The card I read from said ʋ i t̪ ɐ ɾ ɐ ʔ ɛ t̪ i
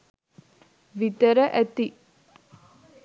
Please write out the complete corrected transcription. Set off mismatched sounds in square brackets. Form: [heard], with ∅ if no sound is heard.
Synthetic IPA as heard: ʋ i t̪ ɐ ɾ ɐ ʔ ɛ t̪ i

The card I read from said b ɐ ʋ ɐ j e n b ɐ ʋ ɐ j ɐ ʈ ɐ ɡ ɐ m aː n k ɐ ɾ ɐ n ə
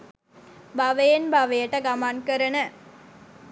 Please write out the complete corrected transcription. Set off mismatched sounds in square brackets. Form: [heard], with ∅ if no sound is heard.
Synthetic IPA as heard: b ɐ ʋ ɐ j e n b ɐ ʋ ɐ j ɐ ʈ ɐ ɡ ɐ m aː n k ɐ ɾ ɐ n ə

